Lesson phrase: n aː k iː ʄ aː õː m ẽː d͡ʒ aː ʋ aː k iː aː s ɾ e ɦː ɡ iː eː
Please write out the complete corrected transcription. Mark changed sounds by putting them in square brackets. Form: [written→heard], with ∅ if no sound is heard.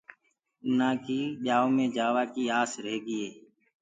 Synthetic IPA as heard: n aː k iː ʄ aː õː m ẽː d͡ʒ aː ʋ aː k iː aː s ɾ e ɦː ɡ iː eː